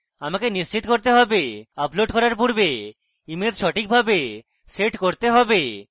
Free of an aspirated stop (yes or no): yes